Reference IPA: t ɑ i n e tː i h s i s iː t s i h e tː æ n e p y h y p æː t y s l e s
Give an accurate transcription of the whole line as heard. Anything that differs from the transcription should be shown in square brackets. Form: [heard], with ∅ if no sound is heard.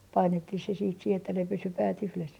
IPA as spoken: [p] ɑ i n e tː i h s [e] s iː t s i h e tː æ n e p y [s] y p æː t y [h] l e s